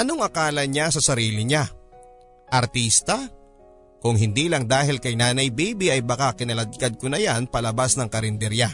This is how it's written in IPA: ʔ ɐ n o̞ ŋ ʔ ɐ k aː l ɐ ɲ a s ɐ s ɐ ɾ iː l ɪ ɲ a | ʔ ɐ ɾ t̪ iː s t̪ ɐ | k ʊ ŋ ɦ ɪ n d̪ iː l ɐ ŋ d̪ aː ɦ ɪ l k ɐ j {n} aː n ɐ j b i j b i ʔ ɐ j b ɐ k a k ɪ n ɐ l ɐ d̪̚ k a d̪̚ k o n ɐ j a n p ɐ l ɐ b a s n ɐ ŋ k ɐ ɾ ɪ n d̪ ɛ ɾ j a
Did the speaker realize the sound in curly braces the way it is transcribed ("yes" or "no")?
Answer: yes